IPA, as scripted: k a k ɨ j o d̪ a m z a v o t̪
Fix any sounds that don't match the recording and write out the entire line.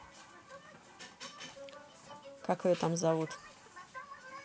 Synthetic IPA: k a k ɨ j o t̪ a m z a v u t̪